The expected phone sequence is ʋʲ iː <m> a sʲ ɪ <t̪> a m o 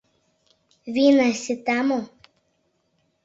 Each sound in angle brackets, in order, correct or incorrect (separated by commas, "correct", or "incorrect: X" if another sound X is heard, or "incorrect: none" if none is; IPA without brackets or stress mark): incorrect: n, correct